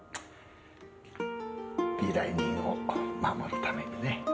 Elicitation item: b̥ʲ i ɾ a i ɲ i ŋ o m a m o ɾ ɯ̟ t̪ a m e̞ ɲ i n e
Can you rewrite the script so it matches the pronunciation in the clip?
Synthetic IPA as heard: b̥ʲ i ɾ a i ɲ i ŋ o m a m o ɾ ɯ̟ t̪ a m e̞ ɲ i n e